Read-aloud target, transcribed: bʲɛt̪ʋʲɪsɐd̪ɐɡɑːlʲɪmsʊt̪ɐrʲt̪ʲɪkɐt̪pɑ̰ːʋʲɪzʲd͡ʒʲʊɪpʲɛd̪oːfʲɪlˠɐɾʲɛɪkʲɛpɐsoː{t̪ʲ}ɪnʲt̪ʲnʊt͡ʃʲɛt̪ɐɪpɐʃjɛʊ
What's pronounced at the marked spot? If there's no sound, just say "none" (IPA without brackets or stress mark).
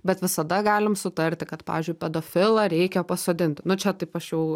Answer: d̪ʲ